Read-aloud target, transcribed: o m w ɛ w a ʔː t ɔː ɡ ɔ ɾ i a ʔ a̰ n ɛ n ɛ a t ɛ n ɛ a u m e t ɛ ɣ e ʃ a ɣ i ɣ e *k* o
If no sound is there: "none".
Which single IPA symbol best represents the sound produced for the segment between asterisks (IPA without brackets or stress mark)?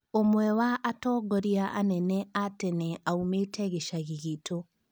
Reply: t